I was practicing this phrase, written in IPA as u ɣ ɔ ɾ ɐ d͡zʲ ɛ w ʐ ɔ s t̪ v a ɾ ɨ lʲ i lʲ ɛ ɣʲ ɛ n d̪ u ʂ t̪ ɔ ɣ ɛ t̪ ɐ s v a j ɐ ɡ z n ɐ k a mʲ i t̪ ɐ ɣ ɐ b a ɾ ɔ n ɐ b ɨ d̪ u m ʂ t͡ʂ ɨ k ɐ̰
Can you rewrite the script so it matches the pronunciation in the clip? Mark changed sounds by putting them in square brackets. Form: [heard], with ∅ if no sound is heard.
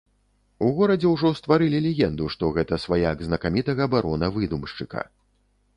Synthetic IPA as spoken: u ɣ ɔ ɾ ɐ d͡zʲ ɛ w ʐ ɔ s t̪ v a ɾ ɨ lʲ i lʲ ɛ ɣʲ ɛ n d̪ u ʂ t̪ ɔ ɣ ɛ t̪ ɐ s v a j [a] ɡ z n ɐ k a mʲ i t̪ ɐ ɣ ɐ b a ɾ ɔ n ɐ [v] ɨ d̪ u m ʂ t͡ʂ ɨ k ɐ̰

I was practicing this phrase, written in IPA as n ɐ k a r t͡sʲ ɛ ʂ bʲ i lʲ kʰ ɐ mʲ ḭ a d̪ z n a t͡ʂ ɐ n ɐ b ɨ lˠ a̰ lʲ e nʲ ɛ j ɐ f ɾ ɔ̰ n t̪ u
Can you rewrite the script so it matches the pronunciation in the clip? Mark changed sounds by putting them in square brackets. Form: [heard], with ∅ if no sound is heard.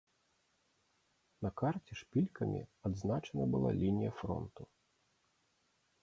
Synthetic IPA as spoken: n ɐ k a r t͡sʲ ɛ ʂ [pʲ] i lʲ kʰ ɐ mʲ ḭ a d̪ z n a t͡ʂ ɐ n ɐ b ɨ lˠ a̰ lʲ [i] nʲ [i] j ɐ f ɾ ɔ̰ n t̪ u

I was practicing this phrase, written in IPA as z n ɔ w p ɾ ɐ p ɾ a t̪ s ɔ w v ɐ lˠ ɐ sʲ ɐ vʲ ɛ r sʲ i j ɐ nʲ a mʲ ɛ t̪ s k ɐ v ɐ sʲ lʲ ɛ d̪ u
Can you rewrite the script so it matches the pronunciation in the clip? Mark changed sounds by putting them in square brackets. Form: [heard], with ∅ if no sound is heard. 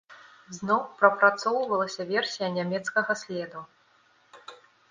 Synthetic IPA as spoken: z n ɔ w p ɾ ɐ p ɾ a t̪ s ɔ w v ɐ lˠ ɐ sʲ ɐ vʲ ɛ r sʲ i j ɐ nʲ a mʲ ɛ t̪ s k ɐ [ɣ] ɐ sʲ lʲ ɛ d̪ u

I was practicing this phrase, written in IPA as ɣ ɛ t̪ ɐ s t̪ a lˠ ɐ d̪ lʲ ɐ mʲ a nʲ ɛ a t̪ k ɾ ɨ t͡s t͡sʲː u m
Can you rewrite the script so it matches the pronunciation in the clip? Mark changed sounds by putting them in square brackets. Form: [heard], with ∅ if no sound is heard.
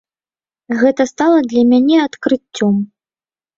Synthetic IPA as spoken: ɣ ɛ t̪ ɐ s t̪ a lˠ ɐ d̪ lʲ ɐ mʲ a nʲ ɛ a t̪ k ɾ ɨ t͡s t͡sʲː [ɔ] m

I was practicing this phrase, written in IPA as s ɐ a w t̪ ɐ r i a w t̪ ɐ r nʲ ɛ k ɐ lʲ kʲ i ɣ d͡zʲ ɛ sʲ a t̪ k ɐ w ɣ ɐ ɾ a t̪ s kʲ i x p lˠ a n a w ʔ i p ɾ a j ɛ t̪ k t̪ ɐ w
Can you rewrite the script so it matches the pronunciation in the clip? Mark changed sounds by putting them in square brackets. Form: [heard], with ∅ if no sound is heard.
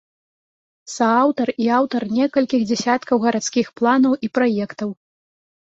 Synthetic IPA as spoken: s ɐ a w t̪ ɐ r i a w t̪ ɐ r nʲ ɛ k ɐ lʲ kʲ i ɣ d͡zʲ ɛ sʲ a t̪ k ɐ w ɣ ɐ ɾ a t̪ s kʲ i x p lˠ a n [ɐ] w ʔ i p ɾ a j ɛ [∅] k t̪ ɐ w

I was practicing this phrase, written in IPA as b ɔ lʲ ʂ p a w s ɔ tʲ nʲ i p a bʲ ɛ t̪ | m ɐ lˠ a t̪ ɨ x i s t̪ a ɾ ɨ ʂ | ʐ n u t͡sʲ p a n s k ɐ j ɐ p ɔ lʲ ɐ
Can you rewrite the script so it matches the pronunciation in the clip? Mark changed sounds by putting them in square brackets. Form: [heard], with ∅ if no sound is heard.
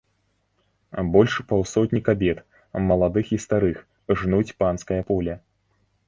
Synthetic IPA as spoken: b ɔ lʲ ʂ p a w s ɔ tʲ nʲ i [k] a bʲ ɛ t̪ | m ɐ lˠ a [d̪] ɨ x i s t̪ a ɾ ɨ [x] | ʐ n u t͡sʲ p a n s k ɐ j ɐ p ɔ lʲ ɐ

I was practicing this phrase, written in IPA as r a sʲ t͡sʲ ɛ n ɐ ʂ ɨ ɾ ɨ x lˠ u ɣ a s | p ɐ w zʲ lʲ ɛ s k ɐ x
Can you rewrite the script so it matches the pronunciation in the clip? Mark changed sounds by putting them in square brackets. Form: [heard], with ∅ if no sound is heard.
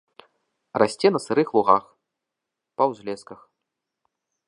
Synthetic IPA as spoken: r a sʲ t͡sʲ ɛ n ɐ [s] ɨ ɾ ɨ x lˠ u ɣ a [x] | p ɐ w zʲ lʲ ɛ s k ɐ x

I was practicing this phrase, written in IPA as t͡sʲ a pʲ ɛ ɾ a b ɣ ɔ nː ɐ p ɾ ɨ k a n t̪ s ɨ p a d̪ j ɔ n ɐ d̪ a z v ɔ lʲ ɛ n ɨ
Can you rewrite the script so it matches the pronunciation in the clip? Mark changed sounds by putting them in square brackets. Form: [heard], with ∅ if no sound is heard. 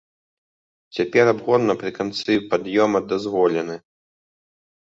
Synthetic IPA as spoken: t͡sʲ a pʲ ɛ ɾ a b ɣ ɔ nː ɐ p ɾ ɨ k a n t̪ s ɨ p a d̪ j ɔ [m] ɐ d̪ a z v ɔ lʲ ɛ n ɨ

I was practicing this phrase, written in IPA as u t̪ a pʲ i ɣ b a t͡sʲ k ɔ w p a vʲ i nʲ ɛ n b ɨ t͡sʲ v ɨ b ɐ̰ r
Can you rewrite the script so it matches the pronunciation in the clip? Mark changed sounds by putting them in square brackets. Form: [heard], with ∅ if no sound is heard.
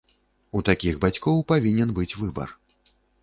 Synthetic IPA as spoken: u t̪ a [kʲ] i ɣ b a t͡sʲ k ɔ w p a vʲ i nʲ ɛ n b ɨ t͡sʲ v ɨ b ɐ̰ r

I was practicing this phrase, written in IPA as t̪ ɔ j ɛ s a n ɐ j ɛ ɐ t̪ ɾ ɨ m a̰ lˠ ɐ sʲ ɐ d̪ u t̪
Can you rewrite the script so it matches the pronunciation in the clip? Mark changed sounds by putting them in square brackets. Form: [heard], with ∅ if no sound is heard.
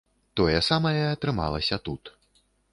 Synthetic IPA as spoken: t̪ ɔ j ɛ s a [m] ɐ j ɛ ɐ t̪ ɾ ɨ m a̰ lˠ ɐ sʲ ɐ [t̪] u t̪

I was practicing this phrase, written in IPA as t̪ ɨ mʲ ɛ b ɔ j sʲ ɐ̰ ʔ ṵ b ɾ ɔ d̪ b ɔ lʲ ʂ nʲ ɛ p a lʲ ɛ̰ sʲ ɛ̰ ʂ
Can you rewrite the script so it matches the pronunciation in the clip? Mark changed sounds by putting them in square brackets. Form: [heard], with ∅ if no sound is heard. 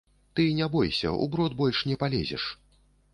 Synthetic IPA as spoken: t̪ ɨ [nʲ] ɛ b ɔ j sʲ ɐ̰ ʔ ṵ b ɾ ɔ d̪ b ɔ lʲ ʂ nʲ ɛ p a lʲ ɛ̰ [zʲ] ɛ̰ ʂ

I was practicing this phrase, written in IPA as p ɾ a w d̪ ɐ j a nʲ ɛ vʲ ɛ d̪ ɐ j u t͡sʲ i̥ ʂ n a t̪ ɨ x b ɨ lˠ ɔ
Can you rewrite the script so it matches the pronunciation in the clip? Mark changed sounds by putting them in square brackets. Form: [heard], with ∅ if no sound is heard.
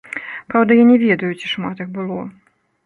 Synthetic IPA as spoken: p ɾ a w d̪ ɐ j a nʲ ɛ vʲ ɛ d̪ ɐ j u t͡sʲ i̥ ʂ [m] a t̪ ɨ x b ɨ lˠ ɔ

